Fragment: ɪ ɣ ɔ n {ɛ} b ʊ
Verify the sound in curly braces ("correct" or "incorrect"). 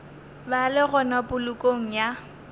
incorrect